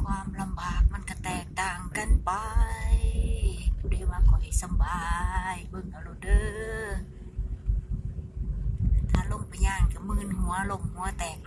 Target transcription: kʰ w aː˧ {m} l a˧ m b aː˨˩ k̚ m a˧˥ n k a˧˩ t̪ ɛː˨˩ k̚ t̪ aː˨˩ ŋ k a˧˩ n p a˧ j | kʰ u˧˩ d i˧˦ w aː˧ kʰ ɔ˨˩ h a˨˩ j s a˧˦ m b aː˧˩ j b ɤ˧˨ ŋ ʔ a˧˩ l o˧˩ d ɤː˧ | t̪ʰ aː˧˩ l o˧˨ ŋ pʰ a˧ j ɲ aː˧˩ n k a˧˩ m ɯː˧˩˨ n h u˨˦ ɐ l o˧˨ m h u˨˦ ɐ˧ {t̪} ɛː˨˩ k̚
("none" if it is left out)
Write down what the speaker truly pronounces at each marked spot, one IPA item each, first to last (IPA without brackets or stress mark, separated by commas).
m, t̪